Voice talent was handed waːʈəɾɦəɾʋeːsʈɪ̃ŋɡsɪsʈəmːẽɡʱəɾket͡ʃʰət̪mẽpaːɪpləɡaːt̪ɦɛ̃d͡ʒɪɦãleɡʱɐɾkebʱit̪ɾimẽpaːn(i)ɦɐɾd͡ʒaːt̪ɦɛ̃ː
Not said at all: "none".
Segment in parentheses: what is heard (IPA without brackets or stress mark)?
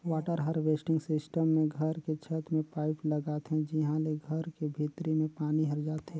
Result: i